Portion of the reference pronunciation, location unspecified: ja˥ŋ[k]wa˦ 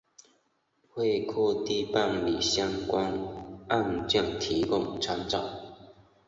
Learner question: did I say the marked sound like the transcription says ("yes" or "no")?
yes